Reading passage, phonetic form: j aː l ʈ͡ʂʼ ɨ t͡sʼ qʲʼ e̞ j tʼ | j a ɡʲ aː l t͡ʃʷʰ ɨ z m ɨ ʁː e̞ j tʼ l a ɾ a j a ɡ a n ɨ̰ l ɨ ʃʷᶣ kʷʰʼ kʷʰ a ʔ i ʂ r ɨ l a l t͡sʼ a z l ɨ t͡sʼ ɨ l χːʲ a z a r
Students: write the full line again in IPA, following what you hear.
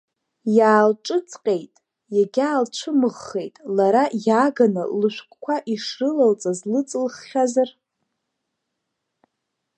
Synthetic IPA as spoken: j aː l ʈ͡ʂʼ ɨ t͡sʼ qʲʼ e̞ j tʼ | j a ɡʲ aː l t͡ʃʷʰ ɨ m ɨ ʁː e̞ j tʼ l a ɾ a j a ɡ a n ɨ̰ l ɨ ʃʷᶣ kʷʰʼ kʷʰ a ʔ i ʂ r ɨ l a l t͡sʼ a z l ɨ t͡sʼ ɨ l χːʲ a z a r